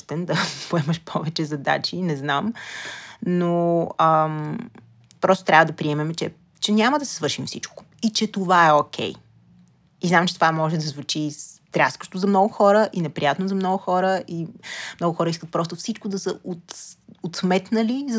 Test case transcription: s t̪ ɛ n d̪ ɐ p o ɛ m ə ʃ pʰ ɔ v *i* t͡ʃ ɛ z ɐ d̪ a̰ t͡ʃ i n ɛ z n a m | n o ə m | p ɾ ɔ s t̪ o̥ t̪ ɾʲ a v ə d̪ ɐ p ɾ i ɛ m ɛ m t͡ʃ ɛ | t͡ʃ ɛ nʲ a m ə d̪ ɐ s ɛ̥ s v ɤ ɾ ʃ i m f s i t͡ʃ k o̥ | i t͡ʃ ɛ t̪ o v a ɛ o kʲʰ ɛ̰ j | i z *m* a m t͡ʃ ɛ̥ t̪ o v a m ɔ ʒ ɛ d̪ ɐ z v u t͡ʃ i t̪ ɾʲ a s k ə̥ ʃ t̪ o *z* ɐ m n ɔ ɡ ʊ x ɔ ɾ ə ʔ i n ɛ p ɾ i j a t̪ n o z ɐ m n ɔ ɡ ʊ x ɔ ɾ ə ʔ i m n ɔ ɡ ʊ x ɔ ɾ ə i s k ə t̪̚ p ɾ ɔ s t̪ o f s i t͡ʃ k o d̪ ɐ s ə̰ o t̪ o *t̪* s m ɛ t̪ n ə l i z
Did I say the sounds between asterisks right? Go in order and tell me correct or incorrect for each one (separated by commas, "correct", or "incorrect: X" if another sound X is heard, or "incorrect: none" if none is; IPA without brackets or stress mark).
incorrect: ɛ, incorrect: n, correct, correct